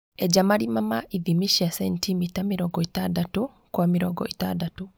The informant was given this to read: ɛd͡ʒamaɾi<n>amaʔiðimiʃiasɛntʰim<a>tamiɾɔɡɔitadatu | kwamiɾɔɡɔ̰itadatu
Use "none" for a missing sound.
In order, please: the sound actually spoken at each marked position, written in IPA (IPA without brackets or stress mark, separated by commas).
m, i